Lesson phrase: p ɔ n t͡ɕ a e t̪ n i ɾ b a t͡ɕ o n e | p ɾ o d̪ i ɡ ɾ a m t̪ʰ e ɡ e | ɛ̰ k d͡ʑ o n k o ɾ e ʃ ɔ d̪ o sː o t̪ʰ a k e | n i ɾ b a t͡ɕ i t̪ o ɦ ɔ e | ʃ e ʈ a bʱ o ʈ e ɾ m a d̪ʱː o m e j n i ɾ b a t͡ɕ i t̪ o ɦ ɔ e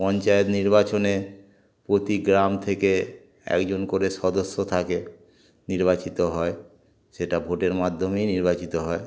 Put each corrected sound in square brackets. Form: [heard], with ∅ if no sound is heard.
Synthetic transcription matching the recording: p ɔ n t͡ɕ a e t̪ n i ɾ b a t͡ɕ o n e | p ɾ o [t̪] i ɡ ɾ a m t̪ʰ e [k] e | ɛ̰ k d͡ʑ o n k o ɾ e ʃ ɔ d̪ o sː o t̪ʰ a k e | n i ɾ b a t͡ɕ i t̪ o ɦ ɔ e | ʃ e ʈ a bʱ o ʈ e ɾ m a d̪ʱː o m e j n i ɾ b a t͡ɕ i t̪ o ɦ ɔ e